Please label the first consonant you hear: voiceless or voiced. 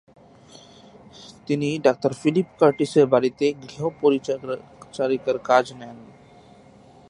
voiceless